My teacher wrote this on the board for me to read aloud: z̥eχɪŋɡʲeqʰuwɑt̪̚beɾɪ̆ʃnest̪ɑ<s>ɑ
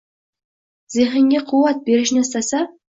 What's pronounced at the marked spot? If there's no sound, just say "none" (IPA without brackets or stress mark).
s